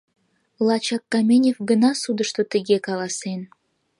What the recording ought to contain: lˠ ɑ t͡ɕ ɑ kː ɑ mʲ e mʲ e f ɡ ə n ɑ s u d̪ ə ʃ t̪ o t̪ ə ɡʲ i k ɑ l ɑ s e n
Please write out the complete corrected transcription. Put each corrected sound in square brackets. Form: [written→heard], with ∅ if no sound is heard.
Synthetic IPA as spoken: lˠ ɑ t͡ɕ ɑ kː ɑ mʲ e [mʲ→nʲ] e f ɡ ə n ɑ s u d̪ ə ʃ t̪ o t̪ ə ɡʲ [i→e] k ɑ l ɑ s e n